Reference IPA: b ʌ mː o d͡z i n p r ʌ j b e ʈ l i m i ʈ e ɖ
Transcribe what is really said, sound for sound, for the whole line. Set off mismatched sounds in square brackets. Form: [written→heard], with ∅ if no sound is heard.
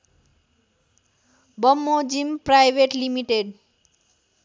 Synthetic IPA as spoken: b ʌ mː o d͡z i [n→m] p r [ʌ→a] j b e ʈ l i m i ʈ e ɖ